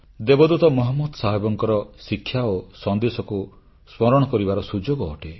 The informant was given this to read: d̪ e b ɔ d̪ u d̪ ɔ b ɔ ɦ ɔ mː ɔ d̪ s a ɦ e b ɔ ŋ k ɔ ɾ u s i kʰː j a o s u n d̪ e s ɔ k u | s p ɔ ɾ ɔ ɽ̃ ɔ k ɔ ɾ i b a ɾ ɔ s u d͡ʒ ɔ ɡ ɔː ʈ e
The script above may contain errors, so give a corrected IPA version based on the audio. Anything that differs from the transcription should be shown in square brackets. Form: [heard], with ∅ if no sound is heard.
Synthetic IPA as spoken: d̪ e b ɔ d̪ u [t̪] ɔ [m] ɔ ɦ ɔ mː ɔ d̪ s a ɦ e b ɔ ŋ k ɔ ɾ [ɔ] s i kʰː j a o s [ɔ] n d̪ e s ɔ k u | s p ɔ ɾ ɔ ɽ̃ ɔ k ɔ ɾ i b a ɾ ɔ s u d͡ʒ [o] ɡ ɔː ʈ e